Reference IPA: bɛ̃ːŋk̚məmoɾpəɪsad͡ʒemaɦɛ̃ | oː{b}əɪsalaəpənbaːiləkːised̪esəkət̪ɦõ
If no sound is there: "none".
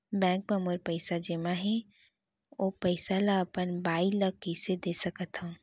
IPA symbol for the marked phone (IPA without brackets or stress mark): p